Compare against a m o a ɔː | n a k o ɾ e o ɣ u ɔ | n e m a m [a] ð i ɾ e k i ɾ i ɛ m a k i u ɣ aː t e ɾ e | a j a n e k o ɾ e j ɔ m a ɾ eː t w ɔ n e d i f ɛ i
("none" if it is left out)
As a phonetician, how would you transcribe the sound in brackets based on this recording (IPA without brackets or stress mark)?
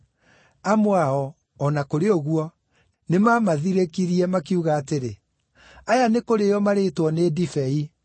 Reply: a